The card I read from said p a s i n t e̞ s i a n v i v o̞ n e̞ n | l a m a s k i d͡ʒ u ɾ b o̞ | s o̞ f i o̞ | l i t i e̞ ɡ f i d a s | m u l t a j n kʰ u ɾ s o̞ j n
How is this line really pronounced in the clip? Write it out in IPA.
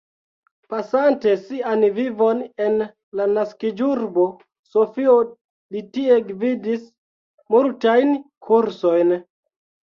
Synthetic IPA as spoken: p a s a n t e̞ s i a n v i v o̞ n e̞ n | l a n a s k i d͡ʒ u ɾ b o̞ | s o̞ f i o̞ | l i t i e̞ ɡ v i d i s | m u l t a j n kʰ u ɾ s o̞ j n

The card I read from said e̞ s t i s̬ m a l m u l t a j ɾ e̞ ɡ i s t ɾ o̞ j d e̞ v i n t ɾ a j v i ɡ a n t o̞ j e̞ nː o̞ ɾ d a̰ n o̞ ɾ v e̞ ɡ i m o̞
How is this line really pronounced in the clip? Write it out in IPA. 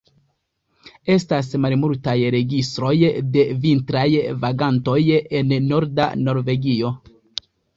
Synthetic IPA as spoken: e̞ s t a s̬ m a l m u l t a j ɾ e̞ ɡ i s t ɾ o̞ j d e̞ v i n t ɾ a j v a ɡ a n t o̞ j e̞ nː o̞ ɾ d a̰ n o̞ ɾ v e̞ ɡ i o̞

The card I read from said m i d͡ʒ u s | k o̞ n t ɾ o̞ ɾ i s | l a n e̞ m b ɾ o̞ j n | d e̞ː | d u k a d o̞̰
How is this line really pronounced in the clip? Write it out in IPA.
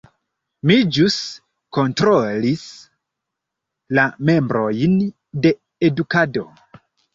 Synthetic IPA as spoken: m i d͡ʒ u s | k o̞ n t ɾ o̞ l i s | l a m e̞ m b ɾ o̞ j n | d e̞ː | d u k a d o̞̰

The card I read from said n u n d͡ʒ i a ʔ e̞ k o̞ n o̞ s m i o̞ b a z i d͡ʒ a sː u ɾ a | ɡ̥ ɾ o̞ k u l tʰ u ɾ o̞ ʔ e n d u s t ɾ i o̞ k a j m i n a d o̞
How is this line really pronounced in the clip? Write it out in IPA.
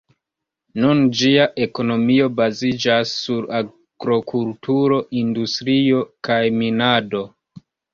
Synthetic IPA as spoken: n u n d͡ʒ i a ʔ e̞ k o̞ n o̞ m i o̞ b a z i d͡ʒ a sː u ɾ a | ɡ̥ ɾ o̞ k u l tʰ u ɾ o̞ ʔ i n d u s t ɾ i o̞ k a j m i n a d o̞

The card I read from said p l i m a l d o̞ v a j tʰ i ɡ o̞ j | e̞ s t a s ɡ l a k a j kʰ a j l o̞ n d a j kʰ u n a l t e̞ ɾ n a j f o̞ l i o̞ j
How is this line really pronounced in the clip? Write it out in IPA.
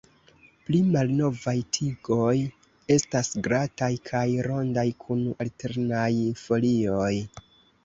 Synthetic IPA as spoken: p l i m a l n o̞ v a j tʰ i ɡ o̞ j | e̞ s t a s ɡ ɾ a t a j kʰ a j ɾ o̞ n d a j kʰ u n a l t e̞ ɾ n a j f o̞ l i o̞ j

